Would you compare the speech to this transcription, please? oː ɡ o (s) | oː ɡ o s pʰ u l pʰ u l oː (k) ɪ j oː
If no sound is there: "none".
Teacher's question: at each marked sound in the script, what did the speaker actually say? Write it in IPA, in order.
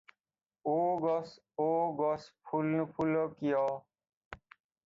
s, k

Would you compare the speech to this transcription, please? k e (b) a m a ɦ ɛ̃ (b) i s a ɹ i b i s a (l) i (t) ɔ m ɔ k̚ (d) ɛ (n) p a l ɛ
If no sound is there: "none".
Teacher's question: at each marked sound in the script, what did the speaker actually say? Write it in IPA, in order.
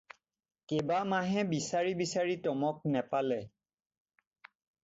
b, b, ɹ, t, n, none

